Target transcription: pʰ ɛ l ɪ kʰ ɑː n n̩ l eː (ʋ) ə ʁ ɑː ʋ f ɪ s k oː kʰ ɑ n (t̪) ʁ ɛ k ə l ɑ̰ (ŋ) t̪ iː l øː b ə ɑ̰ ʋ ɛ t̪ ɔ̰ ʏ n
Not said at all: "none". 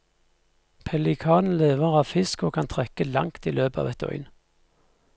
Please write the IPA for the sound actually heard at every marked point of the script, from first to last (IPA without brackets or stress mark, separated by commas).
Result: ʋ, t̪ʰ, ŋ